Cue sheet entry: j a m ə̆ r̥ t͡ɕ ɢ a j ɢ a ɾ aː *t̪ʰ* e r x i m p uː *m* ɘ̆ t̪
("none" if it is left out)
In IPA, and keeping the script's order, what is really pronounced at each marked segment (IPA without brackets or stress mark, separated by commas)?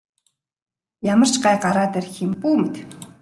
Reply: t̪, m